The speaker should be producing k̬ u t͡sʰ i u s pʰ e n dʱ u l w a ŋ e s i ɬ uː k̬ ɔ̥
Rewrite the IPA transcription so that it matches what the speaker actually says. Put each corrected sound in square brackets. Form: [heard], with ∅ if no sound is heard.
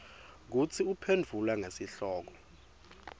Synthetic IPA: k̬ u t͡sʰ i u [∅] pʰ e n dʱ u l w a ŋ e s i ɬ [ɔː] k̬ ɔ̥